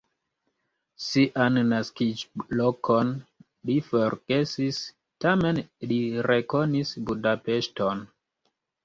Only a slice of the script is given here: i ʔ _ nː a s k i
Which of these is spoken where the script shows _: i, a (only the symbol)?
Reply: a